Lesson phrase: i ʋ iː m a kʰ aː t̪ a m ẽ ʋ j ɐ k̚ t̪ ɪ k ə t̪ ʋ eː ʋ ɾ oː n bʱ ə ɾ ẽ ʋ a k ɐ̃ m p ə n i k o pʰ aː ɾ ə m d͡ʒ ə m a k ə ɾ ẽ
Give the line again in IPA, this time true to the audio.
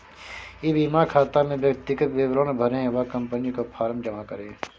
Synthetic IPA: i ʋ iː m a kʰ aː t̪ a m ẽ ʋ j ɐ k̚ t̪ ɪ k ə t̪ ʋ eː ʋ ɾ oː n bʱ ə ɾ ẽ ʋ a k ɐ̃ m p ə n i k o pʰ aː ɾ ə m d͡ʒ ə m a k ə ɾ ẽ